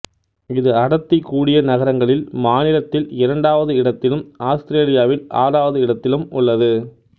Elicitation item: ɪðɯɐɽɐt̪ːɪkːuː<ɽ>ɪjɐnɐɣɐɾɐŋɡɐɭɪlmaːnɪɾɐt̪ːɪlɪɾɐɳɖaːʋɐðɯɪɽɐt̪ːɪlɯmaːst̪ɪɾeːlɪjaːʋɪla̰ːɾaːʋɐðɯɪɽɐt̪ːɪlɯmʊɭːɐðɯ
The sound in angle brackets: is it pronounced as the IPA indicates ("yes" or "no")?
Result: yes